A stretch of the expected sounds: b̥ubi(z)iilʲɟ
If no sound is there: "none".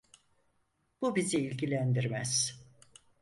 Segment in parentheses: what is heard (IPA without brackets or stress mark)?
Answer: z